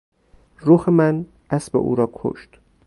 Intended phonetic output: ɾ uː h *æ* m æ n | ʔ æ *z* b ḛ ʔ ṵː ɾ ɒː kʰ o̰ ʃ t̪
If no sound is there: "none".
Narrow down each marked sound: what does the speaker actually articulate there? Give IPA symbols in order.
e, s

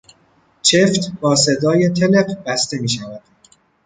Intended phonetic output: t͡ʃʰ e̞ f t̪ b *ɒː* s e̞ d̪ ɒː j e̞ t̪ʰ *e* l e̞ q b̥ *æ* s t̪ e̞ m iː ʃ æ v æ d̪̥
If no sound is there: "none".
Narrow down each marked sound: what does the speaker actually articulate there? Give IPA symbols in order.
ɒː, e, æ

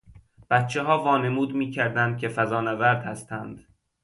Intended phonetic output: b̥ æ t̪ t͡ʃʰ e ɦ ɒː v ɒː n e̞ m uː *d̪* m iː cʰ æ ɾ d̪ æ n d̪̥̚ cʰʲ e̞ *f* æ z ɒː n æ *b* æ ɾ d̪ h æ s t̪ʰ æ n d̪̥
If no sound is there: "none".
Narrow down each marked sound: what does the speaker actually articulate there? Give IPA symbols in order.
d̪, f, v

